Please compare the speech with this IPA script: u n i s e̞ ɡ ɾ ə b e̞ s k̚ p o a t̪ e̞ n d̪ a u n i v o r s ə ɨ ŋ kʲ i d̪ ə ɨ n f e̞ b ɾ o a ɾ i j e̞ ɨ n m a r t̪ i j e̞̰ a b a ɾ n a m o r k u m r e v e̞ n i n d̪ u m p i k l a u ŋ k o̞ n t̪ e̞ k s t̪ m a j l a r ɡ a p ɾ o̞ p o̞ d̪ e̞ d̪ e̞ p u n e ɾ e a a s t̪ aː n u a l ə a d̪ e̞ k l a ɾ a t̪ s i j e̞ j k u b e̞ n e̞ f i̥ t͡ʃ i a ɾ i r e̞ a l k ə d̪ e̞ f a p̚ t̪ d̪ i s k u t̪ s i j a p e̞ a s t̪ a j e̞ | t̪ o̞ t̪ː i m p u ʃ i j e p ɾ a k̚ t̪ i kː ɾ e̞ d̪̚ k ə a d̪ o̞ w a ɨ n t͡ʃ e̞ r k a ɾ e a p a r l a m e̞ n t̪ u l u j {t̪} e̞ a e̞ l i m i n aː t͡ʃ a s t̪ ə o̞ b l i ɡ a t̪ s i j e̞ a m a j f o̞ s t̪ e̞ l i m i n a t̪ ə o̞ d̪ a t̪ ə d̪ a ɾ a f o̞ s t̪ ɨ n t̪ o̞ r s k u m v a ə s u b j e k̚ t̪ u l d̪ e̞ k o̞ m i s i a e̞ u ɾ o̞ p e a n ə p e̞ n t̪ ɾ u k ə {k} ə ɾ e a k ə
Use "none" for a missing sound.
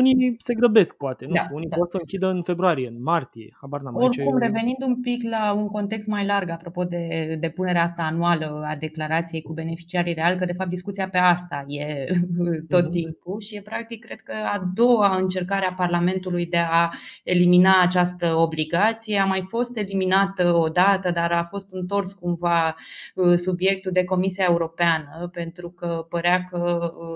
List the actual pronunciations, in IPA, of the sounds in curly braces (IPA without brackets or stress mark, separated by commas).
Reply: d̪, p